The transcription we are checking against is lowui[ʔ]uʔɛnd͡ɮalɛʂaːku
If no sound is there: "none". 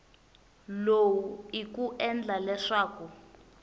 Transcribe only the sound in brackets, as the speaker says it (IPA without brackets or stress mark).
k